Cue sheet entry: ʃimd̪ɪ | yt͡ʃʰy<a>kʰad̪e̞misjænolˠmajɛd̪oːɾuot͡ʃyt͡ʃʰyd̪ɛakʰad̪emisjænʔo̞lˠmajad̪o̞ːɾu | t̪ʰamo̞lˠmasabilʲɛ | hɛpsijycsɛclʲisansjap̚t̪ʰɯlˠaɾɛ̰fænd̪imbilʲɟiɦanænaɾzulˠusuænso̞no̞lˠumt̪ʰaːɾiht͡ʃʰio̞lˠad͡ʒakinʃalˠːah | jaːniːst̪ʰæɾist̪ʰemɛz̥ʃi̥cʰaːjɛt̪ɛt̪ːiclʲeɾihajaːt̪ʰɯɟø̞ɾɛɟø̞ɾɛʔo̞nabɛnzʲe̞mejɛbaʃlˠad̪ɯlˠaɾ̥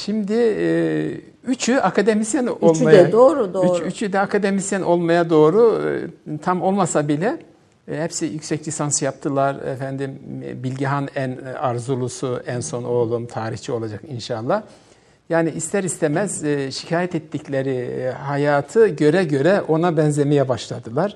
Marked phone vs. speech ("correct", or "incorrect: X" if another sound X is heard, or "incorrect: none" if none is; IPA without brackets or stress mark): correct